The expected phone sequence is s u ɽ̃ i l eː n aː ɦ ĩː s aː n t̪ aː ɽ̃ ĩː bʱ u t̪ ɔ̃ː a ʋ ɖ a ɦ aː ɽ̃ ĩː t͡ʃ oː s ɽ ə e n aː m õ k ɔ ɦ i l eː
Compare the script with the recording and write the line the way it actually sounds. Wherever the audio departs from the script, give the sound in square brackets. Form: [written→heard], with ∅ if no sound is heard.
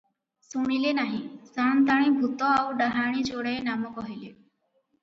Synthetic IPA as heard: s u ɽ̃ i l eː n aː ɦ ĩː s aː n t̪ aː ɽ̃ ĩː bʱ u t̪ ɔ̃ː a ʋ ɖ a ɦ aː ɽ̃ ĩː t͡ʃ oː [s→∅] ɽ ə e n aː m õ k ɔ ɦ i l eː